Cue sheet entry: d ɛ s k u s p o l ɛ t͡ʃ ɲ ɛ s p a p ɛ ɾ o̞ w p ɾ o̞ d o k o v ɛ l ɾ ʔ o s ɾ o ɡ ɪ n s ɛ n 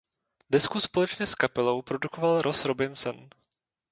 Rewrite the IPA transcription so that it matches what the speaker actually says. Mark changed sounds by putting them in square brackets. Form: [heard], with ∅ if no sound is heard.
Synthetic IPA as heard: d ɛ s k u s p o l ɛ t͡ʃ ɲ ɛ s [k] a p ɛ [l] o̞ w p ɾ o̞ d [u] k o v [a] l ɾ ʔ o s ɾ o [b] ɪ n s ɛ n

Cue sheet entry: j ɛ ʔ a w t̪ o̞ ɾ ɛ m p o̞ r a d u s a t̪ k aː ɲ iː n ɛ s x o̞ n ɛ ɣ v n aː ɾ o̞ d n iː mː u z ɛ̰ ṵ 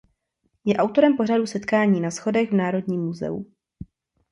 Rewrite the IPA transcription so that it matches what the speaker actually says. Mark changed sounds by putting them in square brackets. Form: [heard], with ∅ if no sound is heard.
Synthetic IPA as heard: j ɛ ʔ a w t̪ o̞ ɾ ɛ m p o̞ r a d u s [ɛ] t̪ k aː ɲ iː n [a] s x o̞ [d] ɛ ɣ v n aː ɾ o̞ d [ɲ] iː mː u z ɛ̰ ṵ

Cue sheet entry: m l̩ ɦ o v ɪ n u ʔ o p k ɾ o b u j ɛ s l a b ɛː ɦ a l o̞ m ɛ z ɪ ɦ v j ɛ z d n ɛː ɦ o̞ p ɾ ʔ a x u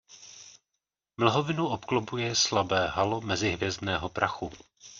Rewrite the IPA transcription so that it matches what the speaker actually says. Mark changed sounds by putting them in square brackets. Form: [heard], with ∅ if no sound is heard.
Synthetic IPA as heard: m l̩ ɦ o v ɪ n u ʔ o p k [l] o b u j ɛ s l a b ɛː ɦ a l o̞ m ɛ z ɪ ɦ v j ɛ z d n ɛː ɦ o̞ p ɾ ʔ a x u

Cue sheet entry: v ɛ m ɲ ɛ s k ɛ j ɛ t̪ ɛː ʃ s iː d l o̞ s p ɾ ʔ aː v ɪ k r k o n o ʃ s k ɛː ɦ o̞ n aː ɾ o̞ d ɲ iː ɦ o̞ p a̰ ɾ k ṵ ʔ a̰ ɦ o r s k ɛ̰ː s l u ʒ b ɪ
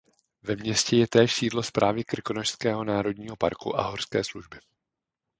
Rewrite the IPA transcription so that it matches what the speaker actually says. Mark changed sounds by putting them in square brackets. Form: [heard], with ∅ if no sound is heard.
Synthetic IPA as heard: v ɛ m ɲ ɛ s [c] ɛ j ɛ t̪ ɛː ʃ s iː d l o̞ s p ɾ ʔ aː v ɪ k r k o n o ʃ s k ɛː ɦ o̞ n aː ɾ o̞ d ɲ iː ɦ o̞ p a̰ ɾ k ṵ ʔ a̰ ɦ o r s k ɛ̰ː s l u ʒ b ɪ

